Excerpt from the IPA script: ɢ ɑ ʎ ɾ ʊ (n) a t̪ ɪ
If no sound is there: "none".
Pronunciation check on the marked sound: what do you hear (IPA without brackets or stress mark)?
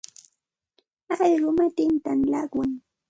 m